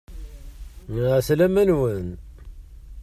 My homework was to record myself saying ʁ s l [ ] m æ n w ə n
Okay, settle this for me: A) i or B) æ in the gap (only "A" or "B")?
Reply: B